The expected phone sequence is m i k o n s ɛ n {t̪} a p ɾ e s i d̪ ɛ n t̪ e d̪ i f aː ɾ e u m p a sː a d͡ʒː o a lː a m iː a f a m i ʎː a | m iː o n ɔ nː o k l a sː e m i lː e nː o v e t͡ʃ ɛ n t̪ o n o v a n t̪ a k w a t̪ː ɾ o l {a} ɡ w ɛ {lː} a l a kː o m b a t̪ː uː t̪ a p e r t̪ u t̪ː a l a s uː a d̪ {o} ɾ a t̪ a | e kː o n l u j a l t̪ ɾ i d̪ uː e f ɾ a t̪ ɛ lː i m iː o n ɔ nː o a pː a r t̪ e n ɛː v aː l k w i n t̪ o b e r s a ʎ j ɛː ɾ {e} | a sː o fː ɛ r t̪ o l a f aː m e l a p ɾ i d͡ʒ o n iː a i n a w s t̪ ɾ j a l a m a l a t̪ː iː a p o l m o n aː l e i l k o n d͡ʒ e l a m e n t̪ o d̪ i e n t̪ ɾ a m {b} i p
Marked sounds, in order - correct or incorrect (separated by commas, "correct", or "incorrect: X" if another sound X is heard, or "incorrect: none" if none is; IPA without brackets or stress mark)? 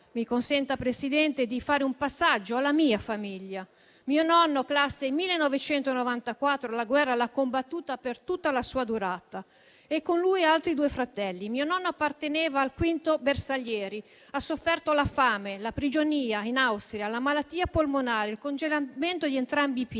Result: correct, correct, incorrect: rː, incorrect: u, incorrect: i, correct